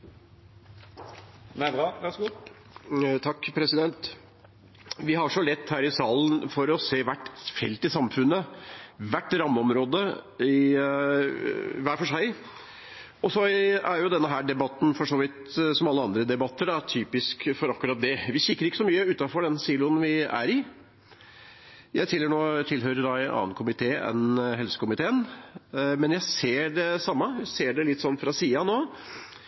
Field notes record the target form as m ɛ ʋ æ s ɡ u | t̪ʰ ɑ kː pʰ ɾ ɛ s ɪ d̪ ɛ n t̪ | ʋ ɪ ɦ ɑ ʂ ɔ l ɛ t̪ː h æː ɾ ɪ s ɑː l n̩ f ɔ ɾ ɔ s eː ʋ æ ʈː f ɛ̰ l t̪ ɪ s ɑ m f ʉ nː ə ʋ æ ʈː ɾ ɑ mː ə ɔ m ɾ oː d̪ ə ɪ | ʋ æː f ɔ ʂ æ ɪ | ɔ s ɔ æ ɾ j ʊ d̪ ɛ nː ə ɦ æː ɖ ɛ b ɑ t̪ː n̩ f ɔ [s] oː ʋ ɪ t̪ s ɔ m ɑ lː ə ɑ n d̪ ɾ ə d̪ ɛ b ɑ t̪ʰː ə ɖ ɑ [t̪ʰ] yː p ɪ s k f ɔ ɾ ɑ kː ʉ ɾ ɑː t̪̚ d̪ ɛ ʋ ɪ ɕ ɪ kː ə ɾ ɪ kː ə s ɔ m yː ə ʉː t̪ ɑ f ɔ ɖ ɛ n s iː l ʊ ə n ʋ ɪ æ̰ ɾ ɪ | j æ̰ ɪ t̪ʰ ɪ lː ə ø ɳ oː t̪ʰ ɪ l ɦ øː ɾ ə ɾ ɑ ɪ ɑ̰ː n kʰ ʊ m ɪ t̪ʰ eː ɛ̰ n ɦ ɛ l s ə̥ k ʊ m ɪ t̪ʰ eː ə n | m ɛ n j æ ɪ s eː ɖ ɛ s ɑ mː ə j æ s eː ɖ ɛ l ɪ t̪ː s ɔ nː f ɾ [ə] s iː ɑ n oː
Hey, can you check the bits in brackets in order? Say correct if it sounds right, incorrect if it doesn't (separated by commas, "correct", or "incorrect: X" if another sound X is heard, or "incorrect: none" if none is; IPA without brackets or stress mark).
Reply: incorrect: ʂ, correct, incorrect: ɑ